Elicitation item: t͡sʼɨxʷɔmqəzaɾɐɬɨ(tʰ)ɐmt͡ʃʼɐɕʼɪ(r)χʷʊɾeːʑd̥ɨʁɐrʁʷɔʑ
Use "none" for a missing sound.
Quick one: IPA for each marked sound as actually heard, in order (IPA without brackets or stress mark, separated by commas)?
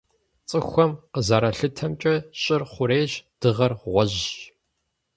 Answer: tʰ, r